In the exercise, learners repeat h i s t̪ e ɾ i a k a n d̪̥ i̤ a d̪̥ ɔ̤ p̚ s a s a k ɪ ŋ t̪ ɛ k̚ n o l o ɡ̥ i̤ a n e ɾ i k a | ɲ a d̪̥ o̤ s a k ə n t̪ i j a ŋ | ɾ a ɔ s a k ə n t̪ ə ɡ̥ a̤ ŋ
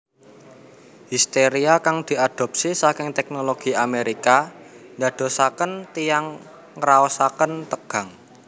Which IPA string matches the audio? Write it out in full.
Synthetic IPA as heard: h i s t̪ e ɾ i a k a ŋ d̪̥ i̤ a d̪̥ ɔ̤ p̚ s i s a k ɪ ŋ t̪ ɛ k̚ n o l o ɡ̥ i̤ a m e ɾ i k a | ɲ a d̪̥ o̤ s a k ə n t̪ i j a ŋ | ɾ a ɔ s a k ə n t̪ ə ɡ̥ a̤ ŋ